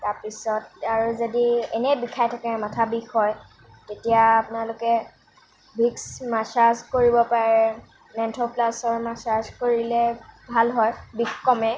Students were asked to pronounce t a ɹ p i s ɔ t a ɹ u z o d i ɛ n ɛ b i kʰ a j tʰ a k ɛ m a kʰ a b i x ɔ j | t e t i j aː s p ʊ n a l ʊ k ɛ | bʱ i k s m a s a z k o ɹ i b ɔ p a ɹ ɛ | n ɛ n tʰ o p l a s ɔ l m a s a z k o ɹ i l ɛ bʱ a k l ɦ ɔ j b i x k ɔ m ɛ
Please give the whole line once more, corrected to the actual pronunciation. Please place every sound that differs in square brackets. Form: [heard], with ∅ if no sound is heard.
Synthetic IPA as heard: t a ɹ p i s ɔ t a ɹ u z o d i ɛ n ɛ b i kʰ a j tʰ a k ɛ m a [tʰ] a b i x ɔ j | t e t i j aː [∅] p ʊ n a l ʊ k ɛ | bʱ i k s m a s a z k o ɹ i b ɔ p a ɹ ɛ | n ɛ n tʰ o p l a s ɔ [ɹ] m a s a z k o ɹ i l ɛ bʱ a [∅] l ɦ ɔ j b i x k ɔ m ɛ